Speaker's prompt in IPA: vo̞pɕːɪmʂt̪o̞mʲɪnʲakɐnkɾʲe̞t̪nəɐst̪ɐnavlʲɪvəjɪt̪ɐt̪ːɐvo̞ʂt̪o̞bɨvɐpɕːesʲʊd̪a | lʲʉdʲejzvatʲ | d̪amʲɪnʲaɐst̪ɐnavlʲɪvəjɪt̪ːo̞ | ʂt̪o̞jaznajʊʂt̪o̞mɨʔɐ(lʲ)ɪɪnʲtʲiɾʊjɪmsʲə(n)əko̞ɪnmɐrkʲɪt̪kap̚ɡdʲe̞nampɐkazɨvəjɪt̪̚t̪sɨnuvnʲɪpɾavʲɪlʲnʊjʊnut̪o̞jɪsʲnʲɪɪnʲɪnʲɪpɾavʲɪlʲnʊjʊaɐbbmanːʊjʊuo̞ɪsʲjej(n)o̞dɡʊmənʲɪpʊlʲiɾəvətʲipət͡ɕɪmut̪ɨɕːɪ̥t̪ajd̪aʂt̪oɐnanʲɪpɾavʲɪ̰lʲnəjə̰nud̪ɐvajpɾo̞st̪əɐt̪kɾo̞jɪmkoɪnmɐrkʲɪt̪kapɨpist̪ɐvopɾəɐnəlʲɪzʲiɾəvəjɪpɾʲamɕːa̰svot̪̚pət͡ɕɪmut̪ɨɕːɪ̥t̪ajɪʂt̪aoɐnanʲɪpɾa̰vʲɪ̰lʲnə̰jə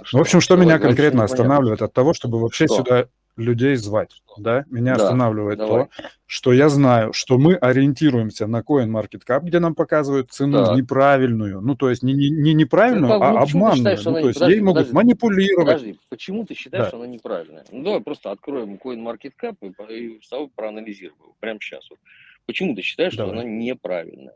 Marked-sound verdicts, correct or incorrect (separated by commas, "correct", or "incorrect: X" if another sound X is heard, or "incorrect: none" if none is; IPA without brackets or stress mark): incorrect: ɾʲ, correct, incorrect: m